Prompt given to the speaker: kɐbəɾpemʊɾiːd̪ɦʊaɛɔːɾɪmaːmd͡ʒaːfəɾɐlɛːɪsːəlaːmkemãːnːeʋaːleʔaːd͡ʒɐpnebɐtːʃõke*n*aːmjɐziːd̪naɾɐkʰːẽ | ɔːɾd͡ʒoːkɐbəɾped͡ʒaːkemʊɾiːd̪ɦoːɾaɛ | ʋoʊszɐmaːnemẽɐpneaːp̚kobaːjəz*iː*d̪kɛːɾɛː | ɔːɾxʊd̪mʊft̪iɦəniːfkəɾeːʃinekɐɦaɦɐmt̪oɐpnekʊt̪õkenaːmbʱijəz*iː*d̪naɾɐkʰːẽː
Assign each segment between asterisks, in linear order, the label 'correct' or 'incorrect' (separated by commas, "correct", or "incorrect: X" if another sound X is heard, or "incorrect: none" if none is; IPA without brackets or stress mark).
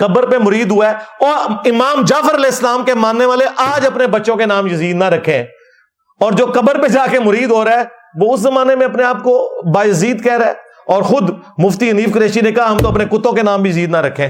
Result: correct, correct, correct